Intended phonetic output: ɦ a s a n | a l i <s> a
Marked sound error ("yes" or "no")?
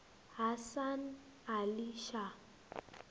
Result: yes